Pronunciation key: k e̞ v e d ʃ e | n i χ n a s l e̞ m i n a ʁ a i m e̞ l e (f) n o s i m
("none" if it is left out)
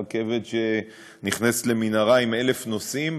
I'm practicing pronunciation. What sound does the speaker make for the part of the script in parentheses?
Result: f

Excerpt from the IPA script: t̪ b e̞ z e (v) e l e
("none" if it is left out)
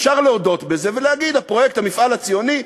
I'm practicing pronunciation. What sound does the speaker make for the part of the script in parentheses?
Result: v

